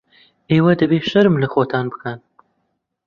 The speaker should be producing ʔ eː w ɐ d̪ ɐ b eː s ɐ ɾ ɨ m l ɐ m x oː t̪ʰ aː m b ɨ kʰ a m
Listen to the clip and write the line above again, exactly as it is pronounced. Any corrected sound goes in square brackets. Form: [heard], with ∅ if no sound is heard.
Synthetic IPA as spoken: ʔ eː w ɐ d̪ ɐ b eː [ʃ] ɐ ɾ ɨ m l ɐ [∅] x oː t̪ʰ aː [n] b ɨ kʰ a [n]